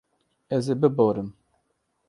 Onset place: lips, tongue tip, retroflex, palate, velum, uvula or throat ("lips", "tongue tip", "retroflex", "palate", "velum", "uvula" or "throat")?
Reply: tongue tip